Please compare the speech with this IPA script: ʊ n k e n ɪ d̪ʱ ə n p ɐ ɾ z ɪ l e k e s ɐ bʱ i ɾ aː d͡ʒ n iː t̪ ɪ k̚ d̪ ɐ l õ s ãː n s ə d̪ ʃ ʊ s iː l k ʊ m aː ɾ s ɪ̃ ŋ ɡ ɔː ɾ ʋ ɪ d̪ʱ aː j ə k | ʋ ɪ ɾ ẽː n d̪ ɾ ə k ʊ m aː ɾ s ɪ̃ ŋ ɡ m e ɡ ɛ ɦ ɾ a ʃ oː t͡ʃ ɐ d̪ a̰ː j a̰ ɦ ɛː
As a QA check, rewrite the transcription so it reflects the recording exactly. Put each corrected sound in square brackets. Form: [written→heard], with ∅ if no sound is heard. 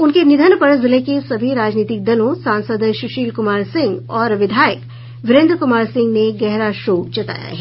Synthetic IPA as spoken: ʊ n k e n ɪ d̪ʱ ə n p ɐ ɾ z ɪ l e k e s ɐ bʱ i ɾ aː d͡ʒ n iː t̪ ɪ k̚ d̪ ɐ l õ s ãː n s ə d̪ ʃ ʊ [s→ʃ] iː l k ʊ m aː ɾ s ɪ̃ ŋ ɡ ɔː ɾ ʋ ɪ d̪ʱ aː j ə k | ʋ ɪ ɾ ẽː n d̪ ɾ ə k ʊ m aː ɾ s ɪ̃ ŋ ɡ [m→n] e ɡ ɛ ɦ ɾ a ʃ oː t͡ʃ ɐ [d̪→t̪] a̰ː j a̰ ɦ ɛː

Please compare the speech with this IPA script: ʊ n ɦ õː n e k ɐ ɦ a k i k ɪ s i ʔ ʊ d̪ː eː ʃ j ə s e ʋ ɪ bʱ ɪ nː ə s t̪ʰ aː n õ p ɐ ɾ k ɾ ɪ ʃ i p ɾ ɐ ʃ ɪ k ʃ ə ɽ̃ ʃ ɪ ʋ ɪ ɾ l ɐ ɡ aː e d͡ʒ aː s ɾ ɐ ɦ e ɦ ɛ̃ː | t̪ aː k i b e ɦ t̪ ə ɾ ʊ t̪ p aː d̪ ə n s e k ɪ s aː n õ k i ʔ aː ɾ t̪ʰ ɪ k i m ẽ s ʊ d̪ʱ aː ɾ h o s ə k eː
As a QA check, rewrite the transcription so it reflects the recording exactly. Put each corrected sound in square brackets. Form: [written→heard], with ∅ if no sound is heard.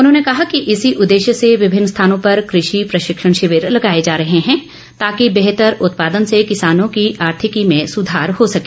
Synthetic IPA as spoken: ʊ n ɦ õː n e k ɐ ɦ a k i [k→ʔ] ɪ s i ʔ ʊ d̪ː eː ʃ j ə s e ʋ ɪ bʱ ɪ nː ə s t̪ʰ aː n õ p ɐ ɾ k ɾ ɪ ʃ i p ɾ ɐ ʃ ɪ k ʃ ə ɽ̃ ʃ ɪ ʋ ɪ ɾ l ɐ ɡ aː e d͡ʒ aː [s→∅] ɾ ɐ ɦ e ɦ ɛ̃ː | t̪ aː k i b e ɦ t̪ ə ɾ ʊ t̪ p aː d̪ ə n s e k ɪ s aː n õ k i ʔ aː ɾ t̪ʰ ɪ k i m ẽ s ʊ d̪ʱ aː ɾ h o s [ə→ɐ] k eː

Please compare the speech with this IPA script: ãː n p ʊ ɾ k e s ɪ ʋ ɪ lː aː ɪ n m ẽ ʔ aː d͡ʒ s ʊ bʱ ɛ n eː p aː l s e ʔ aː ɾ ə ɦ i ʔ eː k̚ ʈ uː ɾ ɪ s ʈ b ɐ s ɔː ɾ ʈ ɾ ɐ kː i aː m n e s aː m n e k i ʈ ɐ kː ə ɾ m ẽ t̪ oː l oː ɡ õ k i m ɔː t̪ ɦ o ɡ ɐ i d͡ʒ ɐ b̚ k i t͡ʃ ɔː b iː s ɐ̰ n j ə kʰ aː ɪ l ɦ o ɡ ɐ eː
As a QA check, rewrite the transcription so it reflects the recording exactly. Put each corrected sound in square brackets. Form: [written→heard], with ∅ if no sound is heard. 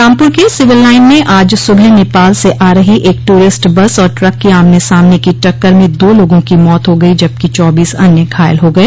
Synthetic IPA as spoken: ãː [n→m] p ʊ ɾ k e s ɪ ʋ ɪ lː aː ɪ n m ẽ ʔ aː d͡ʒ s ʊ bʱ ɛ n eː p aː l s e ʔ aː ɾ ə ɦ i ʔ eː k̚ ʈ uː ɾ ɪ s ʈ b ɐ s ɔː ɾ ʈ ɾ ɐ kː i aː m n e s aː m n e k i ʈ ɐ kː ə ɾ m ẽ [t̪→d̪] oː l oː ɡ õ k i m ɔː t̪ ɦ o ɡ ɐ i d͡ʒ ɐ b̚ k i t͡ʃ ɔː b iː s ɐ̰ n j ə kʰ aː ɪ l ɦ o ɡ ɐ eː

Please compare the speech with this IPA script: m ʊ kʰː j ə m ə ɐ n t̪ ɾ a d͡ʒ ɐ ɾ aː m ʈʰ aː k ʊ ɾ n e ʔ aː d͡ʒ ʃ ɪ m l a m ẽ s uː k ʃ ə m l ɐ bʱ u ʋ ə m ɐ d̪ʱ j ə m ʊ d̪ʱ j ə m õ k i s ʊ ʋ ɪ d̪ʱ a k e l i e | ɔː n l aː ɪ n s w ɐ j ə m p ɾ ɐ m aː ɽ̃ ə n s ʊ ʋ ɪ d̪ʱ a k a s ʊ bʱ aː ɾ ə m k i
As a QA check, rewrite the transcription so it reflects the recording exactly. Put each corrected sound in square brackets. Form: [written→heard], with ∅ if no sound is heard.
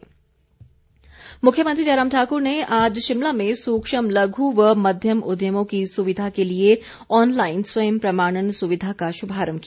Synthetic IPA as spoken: m ʊ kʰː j ə m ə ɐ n t̪ ɾ [a→i] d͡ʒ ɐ ɾ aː m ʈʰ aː k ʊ ɾ n e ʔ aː d͡ʒ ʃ ɪ m l a m ẽ s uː k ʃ ə m l ɐ [bʱ→ɡʱ] u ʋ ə m ɐ d̪ʱ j ə m ʊ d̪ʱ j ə m õ k i s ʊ ʋ ɪ d̪ʱ a k e l i e | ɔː n l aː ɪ n s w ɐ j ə m p ɾ ɐ m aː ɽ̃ ə n s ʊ ʋ ɪ d̪ʱ a k a [s→ʃ] ʊ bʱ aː ɾ ə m k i

